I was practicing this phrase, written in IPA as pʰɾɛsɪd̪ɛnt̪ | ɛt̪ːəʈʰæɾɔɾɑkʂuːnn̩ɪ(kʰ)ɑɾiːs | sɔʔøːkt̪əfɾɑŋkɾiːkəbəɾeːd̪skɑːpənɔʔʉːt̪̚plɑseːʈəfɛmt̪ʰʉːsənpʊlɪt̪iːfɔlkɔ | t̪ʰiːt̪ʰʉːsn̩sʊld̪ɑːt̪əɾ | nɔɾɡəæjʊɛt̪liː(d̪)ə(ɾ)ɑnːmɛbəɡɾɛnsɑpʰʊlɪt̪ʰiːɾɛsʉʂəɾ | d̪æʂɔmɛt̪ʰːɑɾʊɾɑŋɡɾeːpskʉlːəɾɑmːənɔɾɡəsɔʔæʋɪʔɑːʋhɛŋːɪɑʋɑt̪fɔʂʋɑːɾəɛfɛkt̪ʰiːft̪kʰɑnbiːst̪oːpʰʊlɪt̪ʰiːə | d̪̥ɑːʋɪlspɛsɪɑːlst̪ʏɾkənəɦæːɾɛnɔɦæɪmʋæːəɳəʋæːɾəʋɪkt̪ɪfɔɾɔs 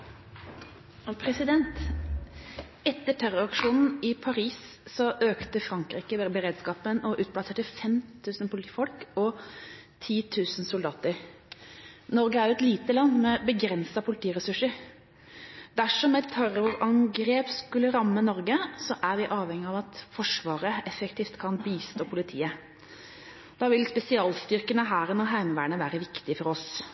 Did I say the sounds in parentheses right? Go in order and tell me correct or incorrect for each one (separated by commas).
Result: incorrect, incorrect, incorrect